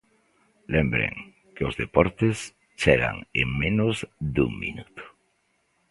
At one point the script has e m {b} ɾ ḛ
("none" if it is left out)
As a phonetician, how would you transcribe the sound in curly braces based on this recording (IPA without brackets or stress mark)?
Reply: b